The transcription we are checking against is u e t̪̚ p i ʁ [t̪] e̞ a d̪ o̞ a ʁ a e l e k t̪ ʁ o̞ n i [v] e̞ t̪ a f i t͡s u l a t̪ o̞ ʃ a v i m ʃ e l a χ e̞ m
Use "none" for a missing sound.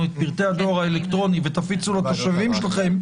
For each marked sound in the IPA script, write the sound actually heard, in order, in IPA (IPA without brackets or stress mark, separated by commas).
t̪, v